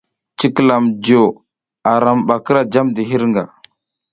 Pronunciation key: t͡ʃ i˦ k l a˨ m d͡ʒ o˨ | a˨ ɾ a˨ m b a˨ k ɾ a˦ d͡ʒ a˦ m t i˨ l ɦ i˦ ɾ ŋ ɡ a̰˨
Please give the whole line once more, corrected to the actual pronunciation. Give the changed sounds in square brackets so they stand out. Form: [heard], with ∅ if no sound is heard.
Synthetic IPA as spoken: t͡ʃ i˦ k l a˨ m d͡ʒ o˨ | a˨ ɾ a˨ m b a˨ k ɾ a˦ d͡ʒ a˦ m [d] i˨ [∅] ɦ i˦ ɾ ŋ ɡ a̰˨

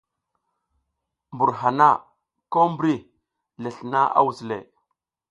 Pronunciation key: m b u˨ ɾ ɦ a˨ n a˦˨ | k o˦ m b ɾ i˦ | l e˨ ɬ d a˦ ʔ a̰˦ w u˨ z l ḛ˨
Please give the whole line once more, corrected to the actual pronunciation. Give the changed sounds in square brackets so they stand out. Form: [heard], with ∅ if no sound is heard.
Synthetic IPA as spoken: m b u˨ ɾ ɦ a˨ n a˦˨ | k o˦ m b ɾ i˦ | l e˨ ɬ [n] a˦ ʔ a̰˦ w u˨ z l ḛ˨

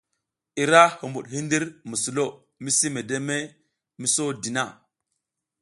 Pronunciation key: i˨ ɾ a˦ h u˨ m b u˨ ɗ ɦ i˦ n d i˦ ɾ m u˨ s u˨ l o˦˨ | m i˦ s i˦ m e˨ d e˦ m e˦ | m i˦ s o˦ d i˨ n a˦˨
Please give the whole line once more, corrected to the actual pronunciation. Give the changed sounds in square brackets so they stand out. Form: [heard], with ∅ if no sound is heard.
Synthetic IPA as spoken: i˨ ɾ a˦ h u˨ m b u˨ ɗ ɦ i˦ n d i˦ ɾ m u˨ s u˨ l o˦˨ | m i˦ s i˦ m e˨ d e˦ m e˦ | m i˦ s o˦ d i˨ n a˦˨

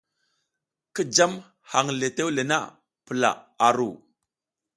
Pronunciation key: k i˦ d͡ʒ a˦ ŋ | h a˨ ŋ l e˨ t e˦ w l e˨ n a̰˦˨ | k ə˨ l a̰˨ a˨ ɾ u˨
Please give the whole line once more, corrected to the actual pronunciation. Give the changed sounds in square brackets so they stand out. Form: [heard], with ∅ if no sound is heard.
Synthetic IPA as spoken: k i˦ d͡ʒ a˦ [m] | h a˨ ŋ l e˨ t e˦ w l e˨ n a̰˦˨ | [p] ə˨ l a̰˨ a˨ ɾ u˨

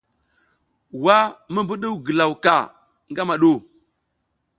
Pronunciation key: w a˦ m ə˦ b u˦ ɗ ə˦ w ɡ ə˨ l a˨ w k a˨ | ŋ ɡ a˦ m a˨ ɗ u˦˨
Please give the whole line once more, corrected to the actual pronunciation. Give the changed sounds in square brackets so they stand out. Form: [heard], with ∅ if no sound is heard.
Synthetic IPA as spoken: w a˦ m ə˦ b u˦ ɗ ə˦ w ɡ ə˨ l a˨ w k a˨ | ŋ ɡ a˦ m a˨ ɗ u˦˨

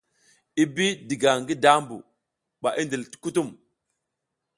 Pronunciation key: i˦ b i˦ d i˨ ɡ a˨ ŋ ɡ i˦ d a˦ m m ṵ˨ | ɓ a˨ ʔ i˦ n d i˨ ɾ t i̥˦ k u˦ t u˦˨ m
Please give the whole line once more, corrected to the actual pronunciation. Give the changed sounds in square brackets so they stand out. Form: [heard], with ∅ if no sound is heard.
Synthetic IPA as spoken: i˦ b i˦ d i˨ ɡ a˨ ŋ ɡ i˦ d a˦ m [b] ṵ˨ | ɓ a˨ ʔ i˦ n d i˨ [l] t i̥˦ k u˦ t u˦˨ m

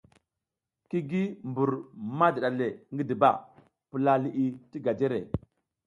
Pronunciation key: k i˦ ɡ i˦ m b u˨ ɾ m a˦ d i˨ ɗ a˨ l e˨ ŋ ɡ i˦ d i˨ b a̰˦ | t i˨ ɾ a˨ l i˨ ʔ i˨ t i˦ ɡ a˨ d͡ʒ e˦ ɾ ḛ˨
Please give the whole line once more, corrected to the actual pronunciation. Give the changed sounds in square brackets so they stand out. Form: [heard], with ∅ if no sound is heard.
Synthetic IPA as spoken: k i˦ ɡ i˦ m b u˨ ɾ m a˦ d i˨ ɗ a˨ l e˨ ŋ ɡ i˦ d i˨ b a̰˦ | [p] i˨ [l] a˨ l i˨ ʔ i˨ t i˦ ɡ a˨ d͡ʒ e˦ ɾ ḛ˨

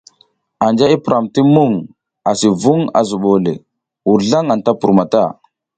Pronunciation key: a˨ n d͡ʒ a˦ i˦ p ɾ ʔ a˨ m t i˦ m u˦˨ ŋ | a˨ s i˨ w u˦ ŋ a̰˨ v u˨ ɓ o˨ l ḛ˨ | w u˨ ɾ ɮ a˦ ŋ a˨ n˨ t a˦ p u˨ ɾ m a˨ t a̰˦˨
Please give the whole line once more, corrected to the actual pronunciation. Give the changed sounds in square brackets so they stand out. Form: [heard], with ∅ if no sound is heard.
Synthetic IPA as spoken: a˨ n d͡ʒ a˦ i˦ p ɾ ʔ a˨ m t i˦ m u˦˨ ŋ | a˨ s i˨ [v] u˦ ŋ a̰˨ [z] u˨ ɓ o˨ l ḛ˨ | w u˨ ɾ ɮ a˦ ŋ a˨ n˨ t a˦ p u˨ ɾ m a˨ t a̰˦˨

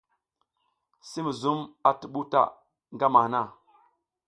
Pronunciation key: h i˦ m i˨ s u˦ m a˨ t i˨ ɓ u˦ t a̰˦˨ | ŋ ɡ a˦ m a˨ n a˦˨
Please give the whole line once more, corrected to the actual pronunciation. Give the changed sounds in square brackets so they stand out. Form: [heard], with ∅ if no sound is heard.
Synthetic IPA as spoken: [s] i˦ m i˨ [z] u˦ m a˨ t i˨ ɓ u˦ t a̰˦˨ | ŋ ɡ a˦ m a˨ n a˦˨

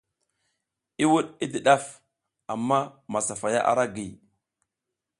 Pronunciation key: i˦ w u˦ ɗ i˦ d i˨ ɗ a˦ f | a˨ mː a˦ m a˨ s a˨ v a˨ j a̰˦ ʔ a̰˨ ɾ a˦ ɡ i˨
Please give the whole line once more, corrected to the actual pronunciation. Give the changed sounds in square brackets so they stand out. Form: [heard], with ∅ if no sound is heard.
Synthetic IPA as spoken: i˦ w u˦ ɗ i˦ d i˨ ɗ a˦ f | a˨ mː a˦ m a˨ s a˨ [f] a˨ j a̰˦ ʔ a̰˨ ɾ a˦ ɡ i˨

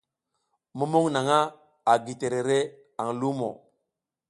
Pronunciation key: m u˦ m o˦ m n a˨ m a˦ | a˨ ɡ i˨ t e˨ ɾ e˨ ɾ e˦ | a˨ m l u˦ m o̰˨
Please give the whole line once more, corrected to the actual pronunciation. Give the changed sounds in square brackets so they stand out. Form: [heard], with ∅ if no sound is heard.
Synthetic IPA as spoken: m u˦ m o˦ [ŋ] n a˨ [ŋ] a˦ | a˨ ɡ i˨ t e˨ ɾ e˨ ɾ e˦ | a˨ [ŋ] l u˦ m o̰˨

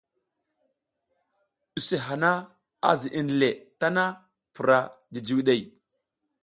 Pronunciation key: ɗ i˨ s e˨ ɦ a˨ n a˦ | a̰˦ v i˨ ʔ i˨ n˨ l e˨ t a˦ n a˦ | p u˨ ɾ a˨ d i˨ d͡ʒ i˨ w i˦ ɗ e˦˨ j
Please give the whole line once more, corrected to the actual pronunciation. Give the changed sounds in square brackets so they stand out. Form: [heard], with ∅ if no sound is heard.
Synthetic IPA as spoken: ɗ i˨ s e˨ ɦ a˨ n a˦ | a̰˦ [z] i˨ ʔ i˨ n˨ l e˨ t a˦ n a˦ | p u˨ ɾ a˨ d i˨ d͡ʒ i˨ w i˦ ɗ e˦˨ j

